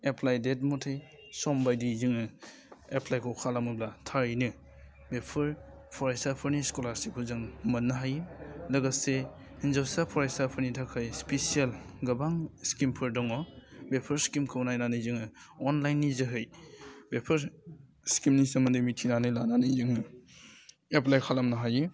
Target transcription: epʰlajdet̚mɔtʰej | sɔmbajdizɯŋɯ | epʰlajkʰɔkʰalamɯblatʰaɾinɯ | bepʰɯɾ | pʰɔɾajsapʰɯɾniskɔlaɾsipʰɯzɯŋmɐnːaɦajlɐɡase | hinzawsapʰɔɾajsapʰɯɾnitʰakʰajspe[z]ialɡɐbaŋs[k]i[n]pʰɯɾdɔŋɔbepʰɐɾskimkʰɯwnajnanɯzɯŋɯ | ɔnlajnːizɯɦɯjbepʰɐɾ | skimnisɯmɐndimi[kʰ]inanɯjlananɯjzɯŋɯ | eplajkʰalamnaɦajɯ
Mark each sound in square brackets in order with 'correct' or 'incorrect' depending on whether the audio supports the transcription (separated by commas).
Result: incorrect, correct, incorrect, incorrect